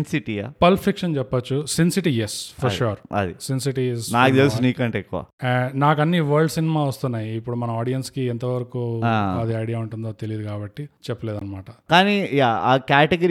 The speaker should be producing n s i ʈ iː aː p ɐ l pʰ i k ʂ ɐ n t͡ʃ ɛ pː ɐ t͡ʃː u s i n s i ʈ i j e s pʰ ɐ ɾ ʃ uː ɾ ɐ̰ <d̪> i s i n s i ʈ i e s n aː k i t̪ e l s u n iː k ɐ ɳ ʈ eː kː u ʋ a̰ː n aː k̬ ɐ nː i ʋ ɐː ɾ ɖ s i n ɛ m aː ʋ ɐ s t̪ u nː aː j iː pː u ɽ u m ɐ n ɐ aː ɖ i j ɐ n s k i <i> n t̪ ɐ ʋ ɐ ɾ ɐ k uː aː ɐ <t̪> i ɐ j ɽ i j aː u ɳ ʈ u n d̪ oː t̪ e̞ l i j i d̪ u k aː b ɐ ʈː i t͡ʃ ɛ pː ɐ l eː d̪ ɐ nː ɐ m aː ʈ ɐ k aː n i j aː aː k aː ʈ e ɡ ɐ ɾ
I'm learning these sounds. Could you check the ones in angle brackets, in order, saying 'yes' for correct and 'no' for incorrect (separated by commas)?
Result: yes, no, no